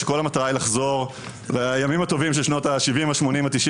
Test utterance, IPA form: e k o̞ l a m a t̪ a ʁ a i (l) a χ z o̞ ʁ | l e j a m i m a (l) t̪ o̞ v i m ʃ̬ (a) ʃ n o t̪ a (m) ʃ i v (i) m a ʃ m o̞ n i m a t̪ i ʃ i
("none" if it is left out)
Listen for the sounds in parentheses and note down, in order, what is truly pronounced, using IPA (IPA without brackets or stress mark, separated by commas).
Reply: l, none, e, none, i